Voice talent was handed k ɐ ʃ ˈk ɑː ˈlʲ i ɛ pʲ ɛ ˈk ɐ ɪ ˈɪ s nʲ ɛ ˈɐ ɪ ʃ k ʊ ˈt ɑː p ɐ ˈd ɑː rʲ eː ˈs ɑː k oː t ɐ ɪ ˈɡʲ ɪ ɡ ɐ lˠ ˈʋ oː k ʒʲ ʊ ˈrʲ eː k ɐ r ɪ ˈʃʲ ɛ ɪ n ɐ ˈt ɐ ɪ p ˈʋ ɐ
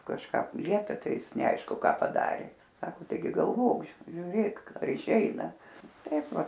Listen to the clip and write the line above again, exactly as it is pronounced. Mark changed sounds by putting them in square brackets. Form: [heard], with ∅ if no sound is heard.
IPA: k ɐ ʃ ˈk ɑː ˈlʲ i ɛ pʲ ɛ [ˈt] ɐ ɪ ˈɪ s nʲ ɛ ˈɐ ɪ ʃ k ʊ [ˈk] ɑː p ɐ ˈd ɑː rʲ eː ˈs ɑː k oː t ɐ ɪ ˈɡʲ ɪ ɡ ɐ lˠ ˈʋ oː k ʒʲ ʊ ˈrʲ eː k ɐ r ɪ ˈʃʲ ɛ ɪ n ɐ ˈt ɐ ɪ p ˈʋ ɐ